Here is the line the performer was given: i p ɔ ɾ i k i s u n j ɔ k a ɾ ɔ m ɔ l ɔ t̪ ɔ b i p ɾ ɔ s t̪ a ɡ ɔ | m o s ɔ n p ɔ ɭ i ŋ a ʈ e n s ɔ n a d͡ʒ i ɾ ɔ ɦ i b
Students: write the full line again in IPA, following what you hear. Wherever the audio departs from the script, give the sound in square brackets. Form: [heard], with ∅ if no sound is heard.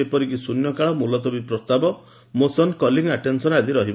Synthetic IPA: [e] p ɔ ɾ i k i s u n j ɔ k a [ɭ] ɔ m [u] l ɔ t̪ ɔ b i p ɾ ɔ s t̪ a [b] ɔ | m o s ɔ n [k] ɔ [l] i ŋ a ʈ e n s ɔ n a d͡ʒ i ɾ ɔ ɦ i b